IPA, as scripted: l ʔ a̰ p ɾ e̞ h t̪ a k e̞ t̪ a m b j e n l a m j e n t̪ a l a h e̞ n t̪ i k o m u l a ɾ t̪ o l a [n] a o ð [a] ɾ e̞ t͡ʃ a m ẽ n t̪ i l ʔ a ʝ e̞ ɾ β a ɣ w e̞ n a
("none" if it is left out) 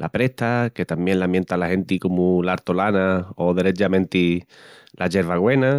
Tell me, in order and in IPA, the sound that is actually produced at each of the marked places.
n, e

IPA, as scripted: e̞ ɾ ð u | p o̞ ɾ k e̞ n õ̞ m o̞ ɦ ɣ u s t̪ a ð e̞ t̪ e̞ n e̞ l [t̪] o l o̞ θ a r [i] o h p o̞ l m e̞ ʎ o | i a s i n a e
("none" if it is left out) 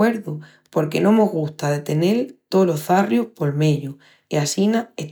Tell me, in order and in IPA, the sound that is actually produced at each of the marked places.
t̪, j

